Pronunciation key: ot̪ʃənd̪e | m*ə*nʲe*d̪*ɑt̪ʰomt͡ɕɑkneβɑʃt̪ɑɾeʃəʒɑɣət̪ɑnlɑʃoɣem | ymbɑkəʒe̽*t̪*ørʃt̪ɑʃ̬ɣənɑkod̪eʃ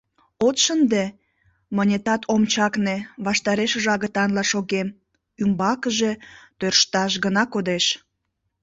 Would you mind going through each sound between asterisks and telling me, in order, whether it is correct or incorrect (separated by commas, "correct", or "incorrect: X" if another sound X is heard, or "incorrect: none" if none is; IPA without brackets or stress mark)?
correct, incorrect: t̪, correct